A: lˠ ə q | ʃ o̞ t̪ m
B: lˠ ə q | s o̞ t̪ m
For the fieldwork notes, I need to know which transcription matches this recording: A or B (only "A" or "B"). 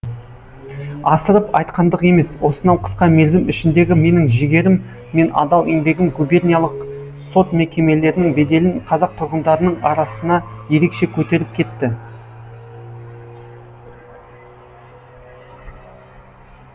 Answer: B